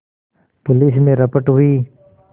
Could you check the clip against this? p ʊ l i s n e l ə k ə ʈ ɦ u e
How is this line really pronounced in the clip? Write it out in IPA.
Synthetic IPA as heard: p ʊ l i s m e ɾ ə p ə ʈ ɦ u i